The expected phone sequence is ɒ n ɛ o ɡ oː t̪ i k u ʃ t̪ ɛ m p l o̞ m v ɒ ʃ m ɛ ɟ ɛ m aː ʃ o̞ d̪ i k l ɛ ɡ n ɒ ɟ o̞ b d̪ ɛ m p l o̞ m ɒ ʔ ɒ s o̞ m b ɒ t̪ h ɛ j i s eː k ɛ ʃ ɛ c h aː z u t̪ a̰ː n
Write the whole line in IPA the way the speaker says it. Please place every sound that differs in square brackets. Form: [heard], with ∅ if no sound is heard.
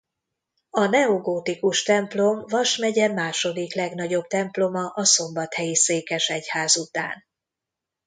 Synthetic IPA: ɒ n ɛ o ɡ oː t̪ i k u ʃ t̪ ɛ m p l o̞ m v ɒ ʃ m ɛ ɟ ɛ m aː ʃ o̞ d̪ i k l ɛ ɡ n ɒ ɟ o̞ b [t̪] ɛ m p l o̞ m ɒ ʔ ɒ s o̞ m b ɒ t̪ h ɛ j i s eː k ɛ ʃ ɛ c h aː z u t̪ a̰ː n